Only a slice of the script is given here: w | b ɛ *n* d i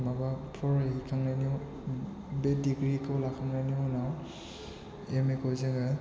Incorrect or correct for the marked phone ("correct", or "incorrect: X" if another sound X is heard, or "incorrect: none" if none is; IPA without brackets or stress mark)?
incorrect: none